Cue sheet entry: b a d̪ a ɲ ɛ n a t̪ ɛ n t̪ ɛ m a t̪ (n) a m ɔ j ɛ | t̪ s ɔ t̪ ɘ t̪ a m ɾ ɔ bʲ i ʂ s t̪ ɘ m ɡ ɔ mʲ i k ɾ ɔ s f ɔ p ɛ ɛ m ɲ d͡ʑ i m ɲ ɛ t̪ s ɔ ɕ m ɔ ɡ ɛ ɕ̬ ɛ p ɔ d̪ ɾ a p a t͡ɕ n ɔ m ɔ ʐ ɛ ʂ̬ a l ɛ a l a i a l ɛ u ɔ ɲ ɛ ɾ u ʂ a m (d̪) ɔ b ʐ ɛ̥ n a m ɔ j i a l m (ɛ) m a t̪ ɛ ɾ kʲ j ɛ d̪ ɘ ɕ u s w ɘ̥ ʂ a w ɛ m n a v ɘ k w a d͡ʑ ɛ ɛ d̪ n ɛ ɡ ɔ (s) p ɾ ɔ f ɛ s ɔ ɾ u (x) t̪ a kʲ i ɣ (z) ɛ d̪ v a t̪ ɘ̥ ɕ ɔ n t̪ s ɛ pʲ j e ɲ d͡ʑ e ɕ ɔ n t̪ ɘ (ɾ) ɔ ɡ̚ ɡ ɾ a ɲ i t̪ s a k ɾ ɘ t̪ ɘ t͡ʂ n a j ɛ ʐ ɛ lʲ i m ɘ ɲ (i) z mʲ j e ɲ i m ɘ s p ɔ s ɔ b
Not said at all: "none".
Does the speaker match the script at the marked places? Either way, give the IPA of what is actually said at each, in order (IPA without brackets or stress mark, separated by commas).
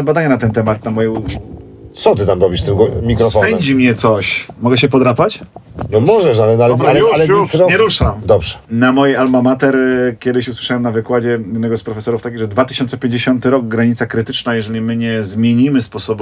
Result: n, d̪, a, s, f, ʐ, ɾ, ɛ